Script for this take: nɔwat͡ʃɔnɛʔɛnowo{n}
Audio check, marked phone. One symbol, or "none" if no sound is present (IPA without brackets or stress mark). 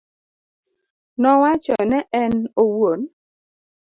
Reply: n